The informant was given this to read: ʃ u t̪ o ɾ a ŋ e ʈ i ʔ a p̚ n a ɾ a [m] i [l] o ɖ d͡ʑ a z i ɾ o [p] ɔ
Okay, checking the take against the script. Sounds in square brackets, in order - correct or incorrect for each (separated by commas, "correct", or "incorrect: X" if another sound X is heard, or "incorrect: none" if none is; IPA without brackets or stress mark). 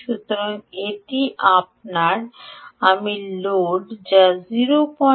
correct, correct, correct